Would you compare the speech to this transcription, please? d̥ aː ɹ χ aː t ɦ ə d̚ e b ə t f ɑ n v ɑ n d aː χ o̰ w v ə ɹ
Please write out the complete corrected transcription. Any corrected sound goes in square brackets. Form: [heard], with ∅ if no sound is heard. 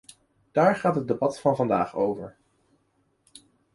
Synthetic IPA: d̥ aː ɹ χ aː t ɦ ə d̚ e b [ɑ] t f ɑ n v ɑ n d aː χ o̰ w v ə ɹ

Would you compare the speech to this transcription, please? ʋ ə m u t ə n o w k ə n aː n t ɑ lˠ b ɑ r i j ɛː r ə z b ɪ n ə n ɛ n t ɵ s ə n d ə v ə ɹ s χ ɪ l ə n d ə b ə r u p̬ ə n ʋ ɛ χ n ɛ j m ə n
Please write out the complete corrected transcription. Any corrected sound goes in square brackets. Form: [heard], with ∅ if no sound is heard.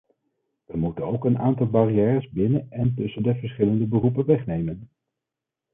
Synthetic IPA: ʋ ə m u t ə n o w k ə n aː n t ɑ lˠ b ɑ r i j ɛː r ə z b ɪ n ə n ɛ n t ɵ s ə n d ə v ə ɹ s χ ɪ l ə n d ə b ə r u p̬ ə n ʋ ɛ χ n [e] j m ə n

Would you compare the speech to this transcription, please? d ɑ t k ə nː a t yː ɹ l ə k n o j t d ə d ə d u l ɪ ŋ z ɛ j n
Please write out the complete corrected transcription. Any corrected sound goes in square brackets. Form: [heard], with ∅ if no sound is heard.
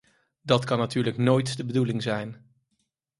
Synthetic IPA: d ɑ t k [ɑ] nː a t yː ɹ l ə k n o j t d ə [b] ə d u l ɪ ŋ z ɛ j n

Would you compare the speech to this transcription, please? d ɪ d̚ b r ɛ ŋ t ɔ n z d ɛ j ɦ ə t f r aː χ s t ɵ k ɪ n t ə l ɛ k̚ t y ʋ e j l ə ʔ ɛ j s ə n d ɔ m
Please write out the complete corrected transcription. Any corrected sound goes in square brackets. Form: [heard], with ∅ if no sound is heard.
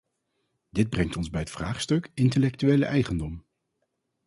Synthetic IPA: d ɪ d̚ b r ɛ ŋ t ɔ n z [b] ɛ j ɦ ə t f r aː χ s t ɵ k ɪ n t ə l ɛ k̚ t y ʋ e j l ə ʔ ɛ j [χ] ə n d ɔ m

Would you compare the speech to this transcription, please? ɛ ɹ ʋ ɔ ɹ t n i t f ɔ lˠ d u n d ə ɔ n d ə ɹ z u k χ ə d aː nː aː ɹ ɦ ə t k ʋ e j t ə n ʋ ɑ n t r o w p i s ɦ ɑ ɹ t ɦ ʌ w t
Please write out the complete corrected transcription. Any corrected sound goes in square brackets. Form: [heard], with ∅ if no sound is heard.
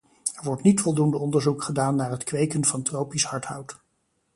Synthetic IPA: ɛ ɹ ʋ ɔ ɹ t n i t f ɔ lˠ d u n d ə ɔ n d ə ɹ z u k χ ə d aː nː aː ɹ ɦ ə t k ʋ e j [k] ə n [v] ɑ n t r o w p i s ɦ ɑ ɹ t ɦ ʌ w t

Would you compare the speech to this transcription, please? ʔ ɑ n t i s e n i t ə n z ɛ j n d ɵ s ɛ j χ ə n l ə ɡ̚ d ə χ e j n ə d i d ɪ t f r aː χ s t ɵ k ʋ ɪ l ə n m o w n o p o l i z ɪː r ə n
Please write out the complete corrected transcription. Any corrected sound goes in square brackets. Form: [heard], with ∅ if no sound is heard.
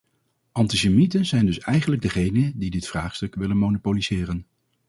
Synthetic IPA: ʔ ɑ n t i s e [m] i t ə n z ɛ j n d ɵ s ɛ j χ ə n l ə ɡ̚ d ə χ e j n ə d i d ɪ t f r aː χ s t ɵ k ʋ ɪ l ə n m o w n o p o l i z ɪː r ə n

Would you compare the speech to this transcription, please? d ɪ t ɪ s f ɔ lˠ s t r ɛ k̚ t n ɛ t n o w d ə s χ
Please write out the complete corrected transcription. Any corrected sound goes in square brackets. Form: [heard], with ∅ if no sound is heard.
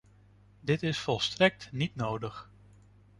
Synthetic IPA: d ɪ t ɪ s f ɔ lˠ s t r ɛ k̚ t n [i] t n o w d ə [∅] χ

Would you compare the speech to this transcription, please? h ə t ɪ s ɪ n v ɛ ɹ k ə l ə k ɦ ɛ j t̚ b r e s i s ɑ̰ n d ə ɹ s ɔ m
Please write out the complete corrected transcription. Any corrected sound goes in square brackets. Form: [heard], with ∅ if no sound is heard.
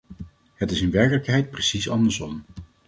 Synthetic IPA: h ə t ɪ s ɪ n [ʋ] ɛ ɹ k ə l ə k ɦ ɛ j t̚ [p] r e s i s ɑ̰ n d ə ɹ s ɔ m

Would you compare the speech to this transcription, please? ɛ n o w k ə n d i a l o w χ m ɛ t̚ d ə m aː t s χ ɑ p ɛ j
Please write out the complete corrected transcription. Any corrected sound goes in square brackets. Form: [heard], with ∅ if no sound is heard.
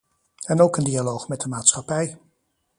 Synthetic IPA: ɛ n o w k ə n d i a l o w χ m ɛ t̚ d ə m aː t s χ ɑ p ɛ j

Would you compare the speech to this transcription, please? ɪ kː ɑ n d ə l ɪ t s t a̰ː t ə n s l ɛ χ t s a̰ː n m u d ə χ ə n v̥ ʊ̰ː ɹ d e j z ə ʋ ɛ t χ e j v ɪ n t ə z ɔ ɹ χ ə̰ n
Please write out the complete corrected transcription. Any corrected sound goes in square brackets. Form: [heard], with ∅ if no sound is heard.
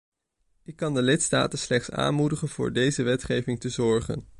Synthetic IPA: ɪ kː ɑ n d ə l ɪ t s t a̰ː t ə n s l ɛ χ t s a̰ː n m u d ə χ ə n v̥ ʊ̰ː ɹ d e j z ə ʋ ɛ t χ e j v ɪ [ŋ] t ə z ɔ ɹ χ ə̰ n

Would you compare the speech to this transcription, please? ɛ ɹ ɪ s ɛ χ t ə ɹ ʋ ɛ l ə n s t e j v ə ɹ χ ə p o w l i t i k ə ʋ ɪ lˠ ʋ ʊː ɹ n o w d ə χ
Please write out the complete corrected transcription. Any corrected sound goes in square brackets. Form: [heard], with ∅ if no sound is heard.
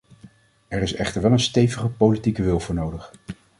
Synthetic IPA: ɛ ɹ ɪ s ɛ χ t ə ɹ ʋ ɛ l ə n s t e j v ə [∅] χ ə p o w l i t i k ə ʋ ɪ lˠ [v] ʊː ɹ n o w d ə χ

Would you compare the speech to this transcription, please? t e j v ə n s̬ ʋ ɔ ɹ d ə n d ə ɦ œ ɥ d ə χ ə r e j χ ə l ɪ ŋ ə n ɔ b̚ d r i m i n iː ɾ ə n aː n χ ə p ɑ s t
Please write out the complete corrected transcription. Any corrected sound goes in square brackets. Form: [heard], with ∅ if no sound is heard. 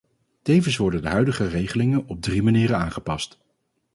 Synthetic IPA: t e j v ə n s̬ ʋ ɔ ɹ d ə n d ə ɦ œ ɥ d ə χ ə r e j χ ə l ɪ ŋ ə n ɔ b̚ d r i m [a] n iː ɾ ə n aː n χ ə p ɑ s t

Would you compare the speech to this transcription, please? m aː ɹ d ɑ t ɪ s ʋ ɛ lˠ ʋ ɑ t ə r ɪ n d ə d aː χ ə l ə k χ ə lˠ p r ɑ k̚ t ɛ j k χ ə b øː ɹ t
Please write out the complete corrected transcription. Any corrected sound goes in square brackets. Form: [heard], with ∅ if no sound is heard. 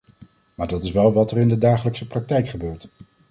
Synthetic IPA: m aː ɹ d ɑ t ɪ s ʋ ɛ lˠ ʋ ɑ t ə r ɪ n d ə d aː χ ə l ə k [s] ə [∅] p r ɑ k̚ t ɛ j k χ ə b øː ɹ t

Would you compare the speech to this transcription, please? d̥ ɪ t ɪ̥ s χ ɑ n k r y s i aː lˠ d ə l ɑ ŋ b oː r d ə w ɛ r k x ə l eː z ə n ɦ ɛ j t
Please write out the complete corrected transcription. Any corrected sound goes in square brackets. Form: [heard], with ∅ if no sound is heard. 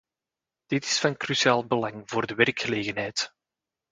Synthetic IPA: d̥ ɪ t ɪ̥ s [f] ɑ n k r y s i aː lˠ [b] ə l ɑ ŋ [v] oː r d ə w ɛ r k x ə l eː [ɣ] ə n ɦ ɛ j t

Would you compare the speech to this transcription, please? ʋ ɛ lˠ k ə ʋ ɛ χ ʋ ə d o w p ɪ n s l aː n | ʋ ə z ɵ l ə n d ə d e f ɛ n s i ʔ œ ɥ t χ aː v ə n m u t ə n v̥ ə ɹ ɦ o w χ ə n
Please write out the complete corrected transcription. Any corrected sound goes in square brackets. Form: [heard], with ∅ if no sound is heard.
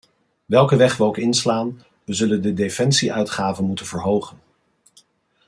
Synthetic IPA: ʋ ɛ lˠ k ə ʋ ɛ χ ʋ ə [∅] o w [k] ɪ n s l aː n | ʋ ə z ɵ l ə n d ə d e f ɛ n s i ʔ œ ɥ t χ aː v ə n m u t ə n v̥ ə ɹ ɦ o w χ ə n

